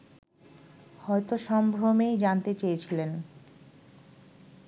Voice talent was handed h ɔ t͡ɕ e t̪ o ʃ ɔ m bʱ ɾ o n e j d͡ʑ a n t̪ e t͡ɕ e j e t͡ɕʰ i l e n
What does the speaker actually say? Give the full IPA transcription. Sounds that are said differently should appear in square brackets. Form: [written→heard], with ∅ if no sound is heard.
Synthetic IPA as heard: h ɔ [t͡ɕ→∅] e t̪ o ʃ ɔ m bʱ ɾ o [n→m] e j d͡ʑ a n t̪ e t͡ɕ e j e t͡ɕʰ i l e n